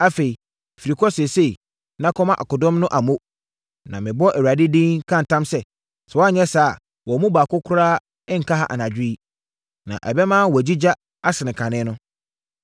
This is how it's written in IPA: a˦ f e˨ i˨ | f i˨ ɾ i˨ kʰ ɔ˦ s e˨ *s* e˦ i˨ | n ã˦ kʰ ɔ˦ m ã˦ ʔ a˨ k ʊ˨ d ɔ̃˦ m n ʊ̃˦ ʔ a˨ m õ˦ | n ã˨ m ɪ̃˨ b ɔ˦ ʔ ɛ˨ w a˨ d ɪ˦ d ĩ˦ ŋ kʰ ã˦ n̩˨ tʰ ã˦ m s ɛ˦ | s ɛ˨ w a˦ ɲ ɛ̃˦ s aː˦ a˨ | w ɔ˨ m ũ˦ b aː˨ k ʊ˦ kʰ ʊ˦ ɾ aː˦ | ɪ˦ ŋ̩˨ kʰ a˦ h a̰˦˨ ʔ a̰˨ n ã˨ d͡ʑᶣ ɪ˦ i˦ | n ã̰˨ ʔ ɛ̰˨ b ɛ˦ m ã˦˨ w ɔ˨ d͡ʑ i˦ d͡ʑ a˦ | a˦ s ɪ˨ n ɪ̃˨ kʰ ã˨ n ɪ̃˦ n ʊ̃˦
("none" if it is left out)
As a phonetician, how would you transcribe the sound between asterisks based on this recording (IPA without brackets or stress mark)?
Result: s